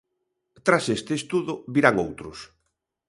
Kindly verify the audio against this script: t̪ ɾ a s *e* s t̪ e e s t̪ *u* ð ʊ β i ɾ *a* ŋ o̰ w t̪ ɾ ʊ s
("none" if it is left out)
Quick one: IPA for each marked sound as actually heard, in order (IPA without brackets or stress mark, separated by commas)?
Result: e, u, a